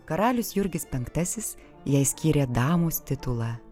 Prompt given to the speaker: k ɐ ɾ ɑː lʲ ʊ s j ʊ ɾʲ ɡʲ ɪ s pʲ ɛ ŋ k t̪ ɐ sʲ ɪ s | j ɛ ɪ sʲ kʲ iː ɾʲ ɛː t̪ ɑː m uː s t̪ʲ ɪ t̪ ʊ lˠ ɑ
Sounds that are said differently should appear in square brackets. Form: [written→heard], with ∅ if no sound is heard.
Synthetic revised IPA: k ɐ ɾ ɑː lʲ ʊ s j ʊ ɾʲ ɡʲ ɪ s pʲ ɛ ŋ k t̪ ɐ sʲ ɪ s | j ɛ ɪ sʲ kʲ iː ɾʲ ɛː [t̪→d̪] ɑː m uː s t̪ʲ ɪ t̪ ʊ lˠ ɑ